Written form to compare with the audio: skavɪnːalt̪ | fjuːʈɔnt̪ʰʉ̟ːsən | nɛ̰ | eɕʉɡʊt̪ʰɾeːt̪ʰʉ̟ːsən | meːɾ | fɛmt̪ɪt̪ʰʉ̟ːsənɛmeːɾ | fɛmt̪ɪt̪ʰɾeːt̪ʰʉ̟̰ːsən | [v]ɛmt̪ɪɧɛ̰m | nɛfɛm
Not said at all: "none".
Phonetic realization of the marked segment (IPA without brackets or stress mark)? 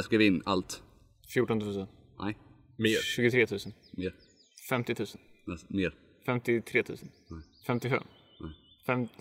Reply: f